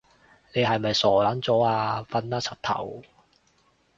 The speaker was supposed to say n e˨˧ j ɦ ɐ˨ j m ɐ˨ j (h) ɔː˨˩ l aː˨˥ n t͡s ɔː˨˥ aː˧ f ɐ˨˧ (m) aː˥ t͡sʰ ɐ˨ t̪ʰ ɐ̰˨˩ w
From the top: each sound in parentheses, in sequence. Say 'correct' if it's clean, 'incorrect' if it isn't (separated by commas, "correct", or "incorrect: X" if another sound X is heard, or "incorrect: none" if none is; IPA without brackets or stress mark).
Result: incorrect: s, incorrect: n